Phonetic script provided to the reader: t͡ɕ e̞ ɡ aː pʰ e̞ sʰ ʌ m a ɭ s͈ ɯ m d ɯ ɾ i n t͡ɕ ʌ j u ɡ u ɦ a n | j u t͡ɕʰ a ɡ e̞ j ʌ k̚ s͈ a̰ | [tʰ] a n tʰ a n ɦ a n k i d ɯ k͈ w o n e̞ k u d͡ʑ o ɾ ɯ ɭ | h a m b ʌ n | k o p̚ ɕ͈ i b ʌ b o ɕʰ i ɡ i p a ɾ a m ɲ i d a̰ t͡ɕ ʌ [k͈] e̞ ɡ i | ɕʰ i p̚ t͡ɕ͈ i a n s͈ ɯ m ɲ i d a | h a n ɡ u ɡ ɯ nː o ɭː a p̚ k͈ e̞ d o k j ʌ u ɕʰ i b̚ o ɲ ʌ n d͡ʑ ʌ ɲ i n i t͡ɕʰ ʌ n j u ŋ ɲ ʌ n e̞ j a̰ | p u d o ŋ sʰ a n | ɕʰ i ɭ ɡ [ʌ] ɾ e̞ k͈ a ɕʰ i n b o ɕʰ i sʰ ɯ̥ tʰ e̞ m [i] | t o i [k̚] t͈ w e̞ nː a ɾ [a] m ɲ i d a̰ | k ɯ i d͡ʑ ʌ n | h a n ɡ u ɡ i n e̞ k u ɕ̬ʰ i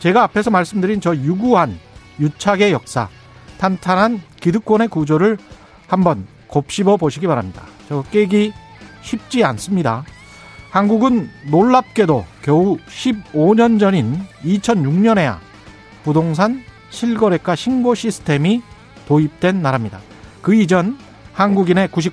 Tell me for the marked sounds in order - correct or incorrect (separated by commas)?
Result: correct, correct, correct, correct, incorrect, correct